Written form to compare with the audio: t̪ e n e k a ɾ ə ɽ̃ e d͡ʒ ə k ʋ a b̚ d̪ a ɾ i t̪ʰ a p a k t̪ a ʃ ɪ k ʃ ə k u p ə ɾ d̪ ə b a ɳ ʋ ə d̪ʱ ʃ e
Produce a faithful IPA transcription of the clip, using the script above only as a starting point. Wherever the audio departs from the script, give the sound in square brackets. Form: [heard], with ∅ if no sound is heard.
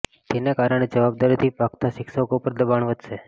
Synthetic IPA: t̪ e n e k a ɾ ə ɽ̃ e d͡ʒ ə [∅] ʋ a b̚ d̪ a ɾ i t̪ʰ [i] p a k t̪ a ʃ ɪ k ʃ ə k [o] p ə ɾ d̪ ə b a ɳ ʋ ə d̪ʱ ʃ e